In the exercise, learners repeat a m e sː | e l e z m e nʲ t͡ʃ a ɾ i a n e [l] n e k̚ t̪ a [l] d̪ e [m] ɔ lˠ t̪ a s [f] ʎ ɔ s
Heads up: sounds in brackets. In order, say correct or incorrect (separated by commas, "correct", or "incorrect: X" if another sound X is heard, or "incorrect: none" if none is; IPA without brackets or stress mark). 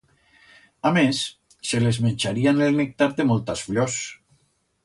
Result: correct, incorrect: ɾ, correct, correct